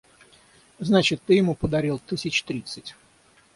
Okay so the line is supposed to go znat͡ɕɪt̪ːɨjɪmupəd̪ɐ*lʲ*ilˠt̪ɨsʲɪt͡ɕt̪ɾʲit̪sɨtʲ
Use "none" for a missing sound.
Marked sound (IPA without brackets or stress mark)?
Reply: ɾʲ